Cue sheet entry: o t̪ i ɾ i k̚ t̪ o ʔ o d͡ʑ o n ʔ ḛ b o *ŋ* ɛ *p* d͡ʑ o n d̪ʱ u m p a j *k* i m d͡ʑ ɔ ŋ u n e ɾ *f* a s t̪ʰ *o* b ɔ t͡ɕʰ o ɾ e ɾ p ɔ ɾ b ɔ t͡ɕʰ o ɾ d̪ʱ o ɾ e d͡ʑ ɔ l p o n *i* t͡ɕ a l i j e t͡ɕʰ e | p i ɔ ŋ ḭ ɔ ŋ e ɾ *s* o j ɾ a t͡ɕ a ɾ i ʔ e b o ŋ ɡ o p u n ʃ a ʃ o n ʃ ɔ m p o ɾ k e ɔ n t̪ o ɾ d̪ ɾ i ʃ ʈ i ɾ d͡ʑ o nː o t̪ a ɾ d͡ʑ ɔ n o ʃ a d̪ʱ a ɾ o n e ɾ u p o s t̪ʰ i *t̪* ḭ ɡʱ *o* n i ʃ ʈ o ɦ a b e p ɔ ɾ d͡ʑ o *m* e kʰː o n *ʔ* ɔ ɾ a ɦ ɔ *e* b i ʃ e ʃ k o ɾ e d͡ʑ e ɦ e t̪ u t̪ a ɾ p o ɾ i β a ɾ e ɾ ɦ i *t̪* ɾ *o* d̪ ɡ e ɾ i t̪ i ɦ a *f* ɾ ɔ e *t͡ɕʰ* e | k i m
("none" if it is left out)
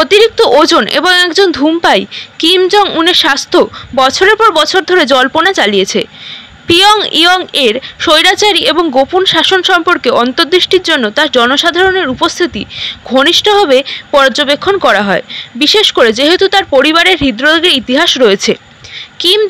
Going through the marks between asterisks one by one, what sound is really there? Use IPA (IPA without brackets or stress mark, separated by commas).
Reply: ŋ, k, k, ʃ, o, a, ʃ, t̪, o, b, k, e, d̪, o, ʃ, t͡ɕʰ